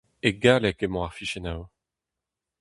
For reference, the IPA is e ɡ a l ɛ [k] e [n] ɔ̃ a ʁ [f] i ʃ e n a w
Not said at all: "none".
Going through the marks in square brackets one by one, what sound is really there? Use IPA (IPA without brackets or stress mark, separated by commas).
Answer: k, m, f